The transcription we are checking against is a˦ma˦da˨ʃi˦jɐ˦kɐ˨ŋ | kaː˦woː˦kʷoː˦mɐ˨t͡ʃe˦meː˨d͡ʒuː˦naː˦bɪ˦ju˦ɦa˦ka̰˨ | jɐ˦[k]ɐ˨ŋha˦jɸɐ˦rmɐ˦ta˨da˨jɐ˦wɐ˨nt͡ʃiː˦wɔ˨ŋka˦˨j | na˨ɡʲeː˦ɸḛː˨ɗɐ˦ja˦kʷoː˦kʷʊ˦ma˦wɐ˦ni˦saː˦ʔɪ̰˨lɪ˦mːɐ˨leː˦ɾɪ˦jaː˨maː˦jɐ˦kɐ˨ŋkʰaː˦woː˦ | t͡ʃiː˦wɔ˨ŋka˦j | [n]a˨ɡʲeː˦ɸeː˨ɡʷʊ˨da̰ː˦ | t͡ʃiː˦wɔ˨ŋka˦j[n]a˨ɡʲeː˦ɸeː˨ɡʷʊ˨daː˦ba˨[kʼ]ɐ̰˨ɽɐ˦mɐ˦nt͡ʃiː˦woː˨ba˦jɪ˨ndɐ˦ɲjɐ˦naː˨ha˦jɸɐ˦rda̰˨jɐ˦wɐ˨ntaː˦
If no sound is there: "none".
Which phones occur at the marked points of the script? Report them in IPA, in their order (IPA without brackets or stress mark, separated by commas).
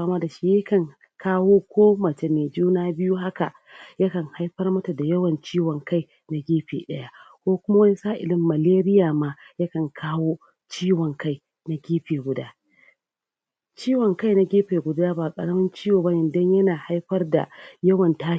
k, n, n, kʼ